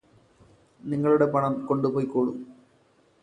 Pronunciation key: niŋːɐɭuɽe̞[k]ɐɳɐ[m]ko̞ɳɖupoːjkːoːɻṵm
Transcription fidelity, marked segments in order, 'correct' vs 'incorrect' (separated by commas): incorrect, correct